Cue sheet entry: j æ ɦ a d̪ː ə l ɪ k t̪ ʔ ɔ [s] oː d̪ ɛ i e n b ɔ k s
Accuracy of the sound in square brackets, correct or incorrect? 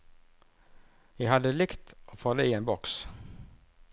incorrect